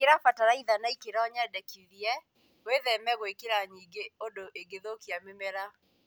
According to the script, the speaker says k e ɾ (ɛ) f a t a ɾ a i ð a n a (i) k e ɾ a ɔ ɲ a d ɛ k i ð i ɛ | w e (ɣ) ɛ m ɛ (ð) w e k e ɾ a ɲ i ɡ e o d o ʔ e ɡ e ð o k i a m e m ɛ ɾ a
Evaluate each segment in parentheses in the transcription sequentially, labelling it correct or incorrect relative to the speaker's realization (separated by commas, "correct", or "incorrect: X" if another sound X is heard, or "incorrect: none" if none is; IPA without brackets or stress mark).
incorrect: a, correct, incorrect: ð, incorrect: ɣ